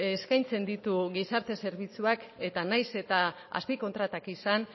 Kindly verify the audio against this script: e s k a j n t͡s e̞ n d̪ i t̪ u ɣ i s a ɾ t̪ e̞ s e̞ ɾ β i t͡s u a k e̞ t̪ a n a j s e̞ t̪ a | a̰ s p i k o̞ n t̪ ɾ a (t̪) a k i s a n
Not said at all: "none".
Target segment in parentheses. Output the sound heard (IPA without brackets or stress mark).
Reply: t̪